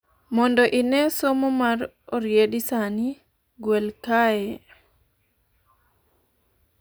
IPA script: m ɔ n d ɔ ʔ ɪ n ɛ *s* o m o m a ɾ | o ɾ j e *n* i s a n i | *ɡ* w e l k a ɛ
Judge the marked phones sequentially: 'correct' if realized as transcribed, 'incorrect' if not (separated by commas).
correct, incorrect, correct